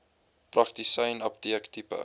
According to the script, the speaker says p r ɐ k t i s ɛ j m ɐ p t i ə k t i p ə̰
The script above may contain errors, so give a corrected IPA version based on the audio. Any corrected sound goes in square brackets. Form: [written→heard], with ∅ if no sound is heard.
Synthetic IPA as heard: p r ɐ k t i s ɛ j [m→n] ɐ p t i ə k t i p ə̰